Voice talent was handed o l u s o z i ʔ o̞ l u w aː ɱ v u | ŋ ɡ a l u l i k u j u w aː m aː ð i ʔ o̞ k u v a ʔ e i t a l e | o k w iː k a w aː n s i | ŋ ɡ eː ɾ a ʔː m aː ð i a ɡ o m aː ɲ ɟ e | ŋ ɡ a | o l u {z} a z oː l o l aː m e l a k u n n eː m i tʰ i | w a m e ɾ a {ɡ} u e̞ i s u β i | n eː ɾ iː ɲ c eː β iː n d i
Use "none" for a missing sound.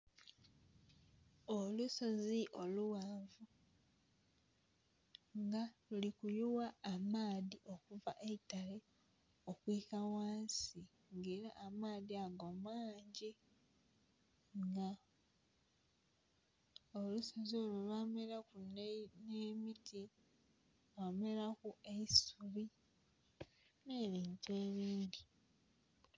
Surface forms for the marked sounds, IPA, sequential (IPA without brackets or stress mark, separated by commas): s, k